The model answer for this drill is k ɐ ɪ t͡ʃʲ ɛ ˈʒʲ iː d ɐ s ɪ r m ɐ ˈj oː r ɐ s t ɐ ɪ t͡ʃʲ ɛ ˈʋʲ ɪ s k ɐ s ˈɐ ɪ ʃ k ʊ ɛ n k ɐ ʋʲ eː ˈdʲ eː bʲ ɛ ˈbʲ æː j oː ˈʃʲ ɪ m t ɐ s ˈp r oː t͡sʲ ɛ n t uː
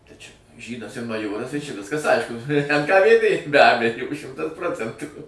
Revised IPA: t ɐ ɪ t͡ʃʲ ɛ ˈʒʲ iː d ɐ s ɪ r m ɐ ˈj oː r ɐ s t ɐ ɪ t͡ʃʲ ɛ ˈʋʲ ɪ s k ɐ s ˈɐ ɪ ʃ k ʊ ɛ n k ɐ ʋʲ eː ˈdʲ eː bʲ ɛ ˈbʲ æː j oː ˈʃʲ ɪ m t ɐ s ˈp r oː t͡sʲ ɛ n t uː